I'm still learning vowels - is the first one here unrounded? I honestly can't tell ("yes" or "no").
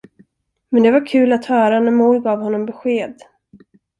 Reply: yes